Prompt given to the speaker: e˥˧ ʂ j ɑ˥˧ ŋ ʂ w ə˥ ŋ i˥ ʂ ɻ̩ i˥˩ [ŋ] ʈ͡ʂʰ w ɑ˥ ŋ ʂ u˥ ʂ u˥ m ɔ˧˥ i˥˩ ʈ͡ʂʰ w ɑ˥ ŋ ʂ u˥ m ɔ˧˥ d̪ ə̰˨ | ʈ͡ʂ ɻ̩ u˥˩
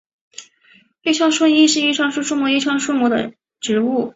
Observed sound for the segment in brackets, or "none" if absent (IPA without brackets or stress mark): none